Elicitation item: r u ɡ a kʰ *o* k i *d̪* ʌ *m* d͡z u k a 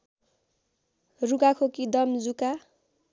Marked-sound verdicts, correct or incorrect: correct, correct, correct

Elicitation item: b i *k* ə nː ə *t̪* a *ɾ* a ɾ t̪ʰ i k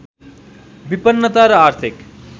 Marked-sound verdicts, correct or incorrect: incorrect, correct, correct

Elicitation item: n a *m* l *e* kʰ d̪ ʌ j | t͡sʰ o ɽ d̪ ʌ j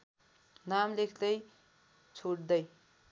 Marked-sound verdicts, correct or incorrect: correct, correct

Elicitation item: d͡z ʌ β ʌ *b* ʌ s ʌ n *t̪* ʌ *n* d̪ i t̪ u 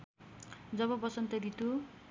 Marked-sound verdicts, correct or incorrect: correct, correct, incorrect

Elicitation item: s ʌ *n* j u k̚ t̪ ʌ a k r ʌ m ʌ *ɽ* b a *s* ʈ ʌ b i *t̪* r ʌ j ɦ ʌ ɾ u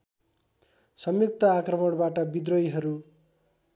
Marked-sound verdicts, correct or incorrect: incorrect, correct, incorrect, incorrect

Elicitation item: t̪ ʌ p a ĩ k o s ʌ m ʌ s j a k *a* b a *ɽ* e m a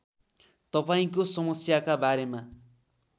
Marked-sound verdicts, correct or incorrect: correct, incorrect

